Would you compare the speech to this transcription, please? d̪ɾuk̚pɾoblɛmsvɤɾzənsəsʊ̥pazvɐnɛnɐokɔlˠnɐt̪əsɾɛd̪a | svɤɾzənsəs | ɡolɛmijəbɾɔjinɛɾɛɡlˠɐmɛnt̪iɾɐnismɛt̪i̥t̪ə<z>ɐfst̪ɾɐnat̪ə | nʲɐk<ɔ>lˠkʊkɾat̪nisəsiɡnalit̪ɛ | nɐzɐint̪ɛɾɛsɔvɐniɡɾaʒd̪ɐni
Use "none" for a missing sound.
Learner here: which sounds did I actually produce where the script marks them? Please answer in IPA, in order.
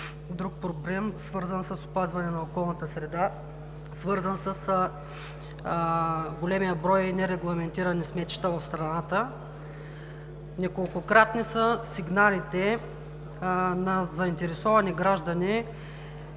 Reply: v, o

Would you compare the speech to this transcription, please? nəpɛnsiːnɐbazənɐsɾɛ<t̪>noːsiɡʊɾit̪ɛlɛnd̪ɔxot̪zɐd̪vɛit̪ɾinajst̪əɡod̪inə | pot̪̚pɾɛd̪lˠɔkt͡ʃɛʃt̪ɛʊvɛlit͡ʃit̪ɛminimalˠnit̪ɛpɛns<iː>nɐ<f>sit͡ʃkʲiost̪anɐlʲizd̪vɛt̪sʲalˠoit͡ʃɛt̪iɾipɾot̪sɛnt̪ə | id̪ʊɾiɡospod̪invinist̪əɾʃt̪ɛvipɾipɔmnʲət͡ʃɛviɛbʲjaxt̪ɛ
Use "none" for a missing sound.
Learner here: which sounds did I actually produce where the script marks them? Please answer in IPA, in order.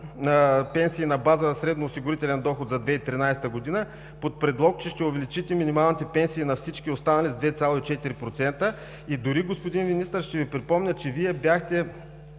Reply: d̪, iː, f

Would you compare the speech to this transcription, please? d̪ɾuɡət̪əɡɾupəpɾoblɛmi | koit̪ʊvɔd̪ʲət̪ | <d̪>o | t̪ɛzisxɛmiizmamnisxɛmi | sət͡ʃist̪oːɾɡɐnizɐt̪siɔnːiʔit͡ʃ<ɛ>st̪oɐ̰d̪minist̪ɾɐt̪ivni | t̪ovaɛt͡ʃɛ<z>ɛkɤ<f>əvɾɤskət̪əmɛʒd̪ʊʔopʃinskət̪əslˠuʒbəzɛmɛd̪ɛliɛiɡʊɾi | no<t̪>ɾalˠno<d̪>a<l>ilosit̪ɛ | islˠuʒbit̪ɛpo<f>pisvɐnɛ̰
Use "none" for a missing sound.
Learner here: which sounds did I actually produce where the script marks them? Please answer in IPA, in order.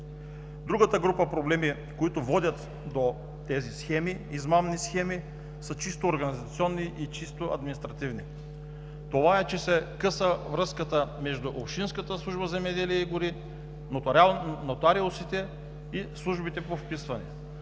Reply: d̪, i, s, s, t̪, t̪, ɾ, f

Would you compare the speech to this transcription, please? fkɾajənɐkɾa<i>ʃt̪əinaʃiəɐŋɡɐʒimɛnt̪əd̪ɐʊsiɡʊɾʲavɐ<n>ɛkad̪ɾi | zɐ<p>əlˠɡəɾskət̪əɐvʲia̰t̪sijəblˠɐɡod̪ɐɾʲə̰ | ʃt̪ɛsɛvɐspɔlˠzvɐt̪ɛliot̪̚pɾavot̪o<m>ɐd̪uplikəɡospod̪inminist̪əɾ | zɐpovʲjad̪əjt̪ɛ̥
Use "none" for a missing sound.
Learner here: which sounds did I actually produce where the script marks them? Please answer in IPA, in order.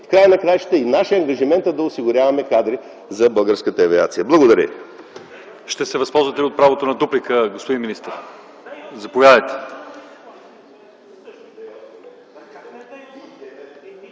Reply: j, m, b, n

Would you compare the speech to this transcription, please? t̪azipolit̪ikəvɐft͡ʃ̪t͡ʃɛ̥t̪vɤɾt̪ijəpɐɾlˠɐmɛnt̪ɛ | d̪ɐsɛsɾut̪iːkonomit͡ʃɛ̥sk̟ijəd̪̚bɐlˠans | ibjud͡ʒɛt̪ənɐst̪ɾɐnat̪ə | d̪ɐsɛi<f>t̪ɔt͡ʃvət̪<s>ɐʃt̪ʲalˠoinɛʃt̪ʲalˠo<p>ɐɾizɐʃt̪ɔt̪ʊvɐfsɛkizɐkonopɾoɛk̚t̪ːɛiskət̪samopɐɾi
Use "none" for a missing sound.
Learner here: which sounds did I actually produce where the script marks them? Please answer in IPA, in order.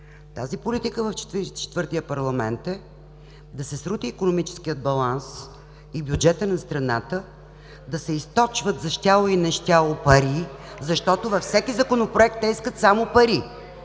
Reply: s, z, p

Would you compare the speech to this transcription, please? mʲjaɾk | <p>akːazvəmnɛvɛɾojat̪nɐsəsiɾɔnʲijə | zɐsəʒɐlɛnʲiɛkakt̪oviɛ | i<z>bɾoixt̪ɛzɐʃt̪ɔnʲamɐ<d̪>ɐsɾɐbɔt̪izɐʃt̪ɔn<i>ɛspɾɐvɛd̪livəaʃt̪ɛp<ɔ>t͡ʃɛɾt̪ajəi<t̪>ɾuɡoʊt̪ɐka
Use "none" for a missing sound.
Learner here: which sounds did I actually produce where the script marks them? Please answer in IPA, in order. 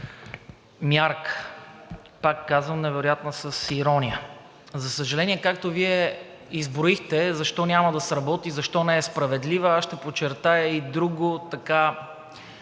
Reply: p, z, d̪, ɛ, o, d̪

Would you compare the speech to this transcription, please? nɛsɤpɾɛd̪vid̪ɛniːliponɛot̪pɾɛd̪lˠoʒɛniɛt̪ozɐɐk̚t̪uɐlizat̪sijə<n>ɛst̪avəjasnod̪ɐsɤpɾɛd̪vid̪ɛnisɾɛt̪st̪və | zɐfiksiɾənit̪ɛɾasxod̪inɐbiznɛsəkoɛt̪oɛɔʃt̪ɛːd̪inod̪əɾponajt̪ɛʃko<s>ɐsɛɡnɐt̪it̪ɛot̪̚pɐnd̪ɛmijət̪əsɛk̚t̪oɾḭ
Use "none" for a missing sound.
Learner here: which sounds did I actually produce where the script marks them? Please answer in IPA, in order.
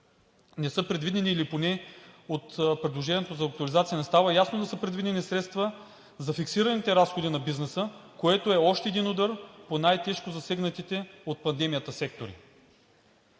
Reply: n, z

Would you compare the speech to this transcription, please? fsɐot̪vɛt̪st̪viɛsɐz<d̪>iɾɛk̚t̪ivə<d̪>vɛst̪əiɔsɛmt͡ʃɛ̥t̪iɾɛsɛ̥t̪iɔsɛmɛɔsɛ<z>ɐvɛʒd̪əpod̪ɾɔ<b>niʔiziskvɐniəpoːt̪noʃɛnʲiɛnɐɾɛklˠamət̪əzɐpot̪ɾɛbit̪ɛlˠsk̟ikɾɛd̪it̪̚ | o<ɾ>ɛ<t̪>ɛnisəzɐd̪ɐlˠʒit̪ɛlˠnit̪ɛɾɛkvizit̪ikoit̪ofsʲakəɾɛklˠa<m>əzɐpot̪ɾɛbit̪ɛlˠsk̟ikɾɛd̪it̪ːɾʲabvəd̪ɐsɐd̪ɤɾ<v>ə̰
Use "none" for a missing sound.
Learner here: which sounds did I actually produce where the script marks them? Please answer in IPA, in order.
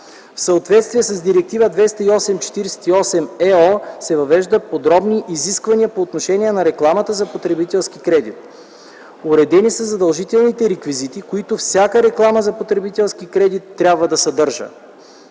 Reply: d̪, d̪, v, b, ɾ, d̪, m, ʒ

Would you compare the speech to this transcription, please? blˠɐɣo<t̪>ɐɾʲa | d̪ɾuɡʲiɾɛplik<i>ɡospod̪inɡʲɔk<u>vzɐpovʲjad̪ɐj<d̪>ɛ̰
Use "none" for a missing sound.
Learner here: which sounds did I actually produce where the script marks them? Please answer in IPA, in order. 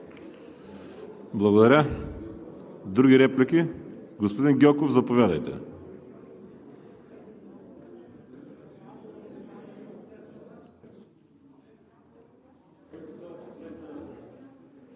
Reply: d̪, i, o, t̪

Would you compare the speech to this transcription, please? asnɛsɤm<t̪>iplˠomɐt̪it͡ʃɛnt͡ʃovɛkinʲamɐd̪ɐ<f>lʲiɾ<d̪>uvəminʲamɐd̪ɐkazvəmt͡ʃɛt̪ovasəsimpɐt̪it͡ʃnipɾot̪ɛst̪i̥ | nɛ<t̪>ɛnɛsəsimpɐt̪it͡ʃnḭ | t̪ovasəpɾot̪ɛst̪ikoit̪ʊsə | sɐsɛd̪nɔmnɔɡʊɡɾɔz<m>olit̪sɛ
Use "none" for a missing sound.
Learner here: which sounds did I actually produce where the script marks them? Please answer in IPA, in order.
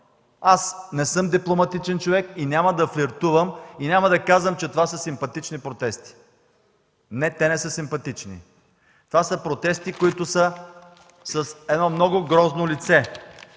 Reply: d̪, f, t̪, t̪, n

